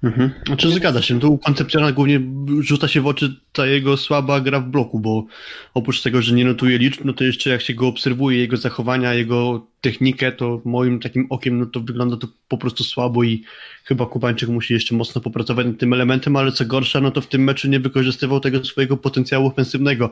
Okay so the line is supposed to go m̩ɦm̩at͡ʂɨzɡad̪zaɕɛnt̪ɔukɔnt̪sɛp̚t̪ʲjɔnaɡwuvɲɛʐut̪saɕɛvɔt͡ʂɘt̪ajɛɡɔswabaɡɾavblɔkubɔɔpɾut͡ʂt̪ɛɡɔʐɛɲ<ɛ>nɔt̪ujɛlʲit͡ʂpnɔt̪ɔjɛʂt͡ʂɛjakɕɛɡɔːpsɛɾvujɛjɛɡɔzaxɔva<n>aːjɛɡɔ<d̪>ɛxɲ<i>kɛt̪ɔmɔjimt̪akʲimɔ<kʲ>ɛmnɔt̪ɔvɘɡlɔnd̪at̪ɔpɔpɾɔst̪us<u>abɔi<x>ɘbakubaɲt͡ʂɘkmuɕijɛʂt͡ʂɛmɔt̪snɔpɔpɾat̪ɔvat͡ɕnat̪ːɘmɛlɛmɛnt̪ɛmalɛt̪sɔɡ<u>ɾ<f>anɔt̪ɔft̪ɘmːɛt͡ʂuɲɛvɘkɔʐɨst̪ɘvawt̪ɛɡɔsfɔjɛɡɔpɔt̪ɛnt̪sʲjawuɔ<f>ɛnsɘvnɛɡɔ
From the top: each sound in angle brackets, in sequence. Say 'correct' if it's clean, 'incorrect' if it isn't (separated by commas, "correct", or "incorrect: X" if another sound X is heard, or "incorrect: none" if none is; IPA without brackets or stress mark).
correct, incorrect: ɲ, incorrect: t̪, correct, correct, incorrect: w, correct, incorrect: ɔ, incorrect: ʂ, correct